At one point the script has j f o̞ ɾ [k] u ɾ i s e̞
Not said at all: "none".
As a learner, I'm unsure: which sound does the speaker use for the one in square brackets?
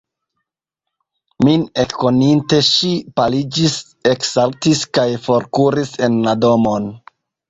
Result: k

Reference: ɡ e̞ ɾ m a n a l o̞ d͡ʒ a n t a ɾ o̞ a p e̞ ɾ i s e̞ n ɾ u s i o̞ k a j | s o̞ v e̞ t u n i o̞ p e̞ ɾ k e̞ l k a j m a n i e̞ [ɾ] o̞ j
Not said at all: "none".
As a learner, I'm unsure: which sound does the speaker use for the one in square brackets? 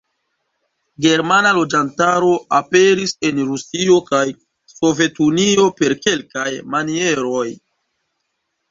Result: ɾ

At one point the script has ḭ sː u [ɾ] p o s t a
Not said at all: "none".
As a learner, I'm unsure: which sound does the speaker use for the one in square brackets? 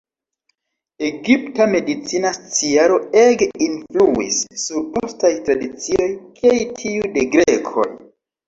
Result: ɾ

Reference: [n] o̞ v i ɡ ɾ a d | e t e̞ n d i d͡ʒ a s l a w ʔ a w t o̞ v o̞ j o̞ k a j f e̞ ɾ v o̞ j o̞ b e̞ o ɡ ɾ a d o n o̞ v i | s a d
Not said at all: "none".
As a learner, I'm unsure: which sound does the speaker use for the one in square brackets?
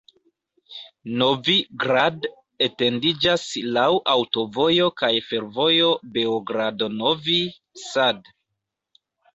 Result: n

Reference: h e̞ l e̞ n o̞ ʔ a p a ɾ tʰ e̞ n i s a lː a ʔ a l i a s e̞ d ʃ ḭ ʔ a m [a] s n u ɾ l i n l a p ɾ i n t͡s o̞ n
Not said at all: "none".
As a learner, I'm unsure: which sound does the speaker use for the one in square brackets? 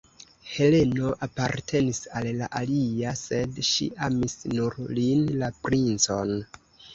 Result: i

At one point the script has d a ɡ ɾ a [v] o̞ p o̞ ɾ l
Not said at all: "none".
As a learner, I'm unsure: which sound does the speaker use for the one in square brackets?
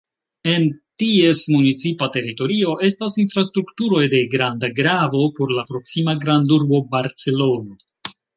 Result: v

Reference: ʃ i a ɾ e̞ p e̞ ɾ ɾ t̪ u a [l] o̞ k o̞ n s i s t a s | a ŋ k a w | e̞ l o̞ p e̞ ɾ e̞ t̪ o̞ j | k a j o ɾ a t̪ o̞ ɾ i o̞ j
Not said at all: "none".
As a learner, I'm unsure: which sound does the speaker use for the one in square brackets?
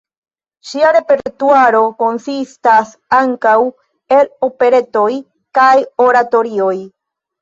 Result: ɾ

